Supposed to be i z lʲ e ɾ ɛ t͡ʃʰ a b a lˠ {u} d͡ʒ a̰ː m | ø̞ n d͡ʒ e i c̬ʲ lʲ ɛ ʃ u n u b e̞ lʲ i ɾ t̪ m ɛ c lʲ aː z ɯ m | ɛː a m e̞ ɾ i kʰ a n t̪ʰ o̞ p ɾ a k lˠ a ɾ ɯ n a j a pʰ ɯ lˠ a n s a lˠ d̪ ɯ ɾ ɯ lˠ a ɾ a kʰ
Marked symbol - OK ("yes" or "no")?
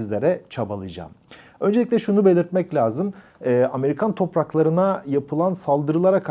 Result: no